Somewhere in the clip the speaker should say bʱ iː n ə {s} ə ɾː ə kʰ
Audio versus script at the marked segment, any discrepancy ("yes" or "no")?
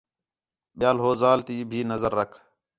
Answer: yes